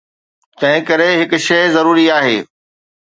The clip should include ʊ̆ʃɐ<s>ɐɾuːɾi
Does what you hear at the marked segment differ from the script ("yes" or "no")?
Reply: yes